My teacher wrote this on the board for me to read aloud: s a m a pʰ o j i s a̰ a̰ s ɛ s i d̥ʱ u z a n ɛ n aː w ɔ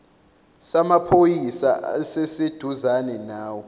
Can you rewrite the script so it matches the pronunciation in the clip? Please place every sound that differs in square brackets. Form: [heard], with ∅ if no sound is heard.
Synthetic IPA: s a m a pʰ o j i s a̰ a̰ s ɛ s [e] d̥ʱ u z a n ɛ n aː w ɔ